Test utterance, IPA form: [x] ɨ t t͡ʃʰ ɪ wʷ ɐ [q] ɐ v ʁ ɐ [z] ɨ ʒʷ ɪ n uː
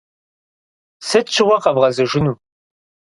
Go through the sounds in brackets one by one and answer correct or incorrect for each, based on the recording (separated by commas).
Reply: incorrect, correct, correct